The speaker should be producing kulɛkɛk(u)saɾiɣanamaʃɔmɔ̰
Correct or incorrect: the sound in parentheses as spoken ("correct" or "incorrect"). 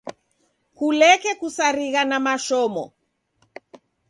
correct